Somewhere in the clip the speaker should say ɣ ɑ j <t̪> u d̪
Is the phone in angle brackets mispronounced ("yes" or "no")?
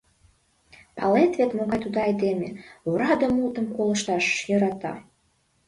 no